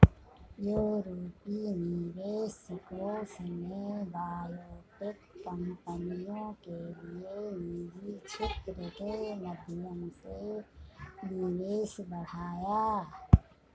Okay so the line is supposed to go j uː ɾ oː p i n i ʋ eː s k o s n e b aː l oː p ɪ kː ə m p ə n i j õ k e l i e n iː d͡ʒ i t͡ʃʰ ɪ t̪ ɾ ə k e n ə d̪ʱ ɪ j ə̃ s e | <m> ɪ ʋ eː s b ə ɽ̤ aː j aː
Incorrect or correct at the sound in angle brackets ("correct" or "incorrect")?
incorrect